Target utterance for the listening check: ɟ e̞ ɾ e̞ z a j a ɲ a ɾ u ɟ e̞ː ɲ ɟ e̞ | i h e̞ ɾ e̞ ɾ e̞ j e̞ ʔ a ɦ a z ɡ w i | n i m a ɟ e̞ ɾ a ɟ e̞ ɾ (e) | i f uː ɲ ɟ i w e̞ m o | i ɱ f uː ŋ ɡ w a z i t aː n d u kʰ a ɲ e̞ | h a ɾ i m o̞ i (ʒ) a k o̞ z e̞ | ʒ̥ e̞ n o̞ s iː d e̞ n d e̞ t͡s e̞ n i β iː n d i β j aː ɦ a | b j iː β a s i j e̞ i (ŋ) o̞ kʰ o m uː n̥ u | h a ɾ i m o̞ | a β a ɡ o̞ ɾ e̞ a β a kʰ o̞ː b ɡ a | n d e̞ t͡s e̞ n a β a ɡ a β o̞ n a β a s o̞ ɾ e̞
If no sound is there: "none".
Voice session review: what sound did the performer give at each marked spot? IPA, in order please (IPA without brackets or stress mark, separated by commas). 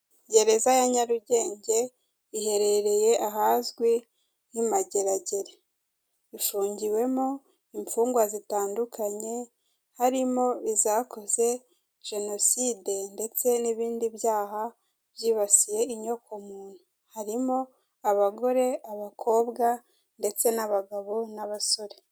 e, z, ɲ